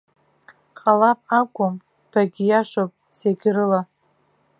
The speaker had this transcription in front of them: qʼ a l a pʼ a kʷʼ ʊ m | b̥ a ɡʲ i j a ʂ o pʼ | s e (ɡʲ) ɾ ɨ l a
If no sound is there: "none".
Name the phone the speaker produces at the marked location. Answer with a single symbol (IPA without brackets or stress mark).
ɡʲ